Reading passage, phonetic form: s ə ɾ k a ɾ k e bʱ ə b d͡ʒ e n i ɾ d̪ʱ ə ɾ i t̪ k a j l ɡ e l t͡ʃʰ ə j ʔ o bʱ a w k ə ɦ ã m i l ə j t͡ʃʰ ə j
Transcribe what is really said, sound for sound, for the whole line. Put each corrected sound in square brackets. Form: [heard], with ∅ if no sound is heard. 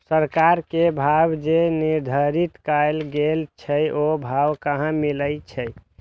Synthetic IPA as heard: s ə ɾ k a ɾ k e bʱ [a] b d͡ʒ e n i ɾ d̪ʱ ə ɾ i t̪ k a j l ɡ e l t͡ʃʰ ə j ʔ o bʱ a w k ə ɦ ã m i l ə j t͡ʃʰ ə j